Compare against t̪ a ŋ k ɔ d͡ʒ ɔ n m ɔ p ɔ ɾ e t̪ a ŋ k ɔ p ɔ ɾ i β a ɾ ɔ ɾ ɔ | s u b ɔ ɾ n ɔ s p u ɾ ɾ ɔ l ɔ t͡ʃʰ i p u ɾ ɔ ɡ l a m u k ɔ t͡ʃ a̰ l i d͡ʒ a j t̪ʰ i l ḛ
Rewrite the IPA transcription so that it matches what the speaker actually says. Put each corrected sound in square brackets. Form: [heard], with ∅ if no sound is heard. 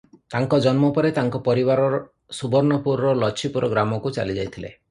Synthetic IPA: t̪ a ŋ k ɔ d͡ʒ ɔ n m ɔ p ɔ ɾ e t̪ a ŋ k ɔ p ɔ ɾ i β a ɾ ɔ ɾ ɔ | s u b ɔ ɾ n ɔ [∅] p u ɾ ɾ ɔ l ɔ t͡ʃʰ i p u ɾ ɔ ɡ [ɾ] a m [ɔ] k [u] t͡ʃ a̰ l i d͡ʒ a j t̪ʰ i l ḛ